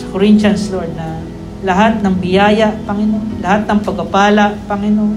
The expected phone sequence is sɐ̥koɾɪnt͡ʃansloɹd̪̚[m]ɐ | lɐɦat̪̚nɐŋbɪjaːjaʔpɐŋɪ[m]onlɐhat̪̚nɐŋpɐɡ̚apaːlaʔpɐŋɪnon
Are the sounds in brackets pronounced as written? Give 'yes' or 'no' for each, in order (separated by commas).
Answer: no, no